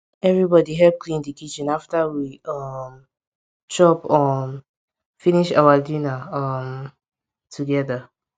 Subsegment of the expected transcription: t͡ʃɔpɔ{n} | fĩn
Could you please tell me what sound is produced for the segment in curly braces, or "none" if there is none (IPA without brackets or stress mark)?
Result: m